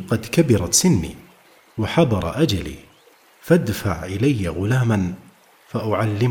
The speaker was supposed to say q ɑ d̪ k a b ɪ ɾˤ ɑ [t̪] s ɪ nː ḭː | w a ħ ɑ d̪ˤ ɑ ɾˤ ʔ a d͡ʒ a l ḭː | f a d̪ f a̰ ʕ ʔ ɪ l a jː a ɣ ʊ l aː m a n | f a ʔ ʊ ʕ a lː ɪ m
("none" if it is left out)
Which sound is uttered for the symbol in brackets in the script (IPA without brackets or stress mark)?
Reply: t̪